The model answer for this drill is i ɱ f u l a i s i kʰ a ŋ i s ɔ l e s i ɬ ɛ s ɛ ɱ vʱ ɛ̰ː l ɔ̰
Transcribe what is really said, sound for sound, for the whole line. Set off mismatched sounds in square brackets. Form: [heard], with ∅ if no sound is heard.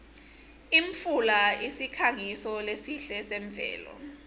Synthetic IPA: i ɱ f u l a i s i kʰ a ŋ i s ɔ l e s i ɬ ɛ s ɛ ɱ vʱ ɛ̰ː l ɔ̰